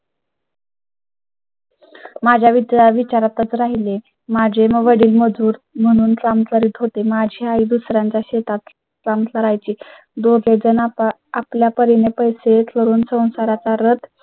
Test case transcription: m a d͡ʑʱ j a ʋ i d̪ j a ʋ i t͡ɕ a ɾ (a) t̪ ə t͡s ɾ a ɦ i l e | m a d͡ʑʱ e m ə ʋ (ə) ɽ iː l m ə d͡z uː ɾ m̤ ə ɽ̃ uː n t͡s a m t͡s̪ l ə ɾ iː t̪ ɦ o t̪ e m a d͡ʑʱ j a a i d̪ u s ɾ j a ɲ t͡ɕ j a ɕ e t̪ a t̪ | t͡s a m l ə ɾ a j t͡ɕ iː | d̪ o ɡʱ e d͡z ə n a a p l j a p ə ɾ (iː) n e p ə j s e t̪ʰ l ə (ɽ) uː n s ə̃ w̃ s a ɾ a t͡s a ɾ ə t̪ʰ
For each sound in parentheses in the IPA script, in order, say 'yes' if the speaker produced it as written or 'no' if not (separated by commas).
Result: yes, yes, no, no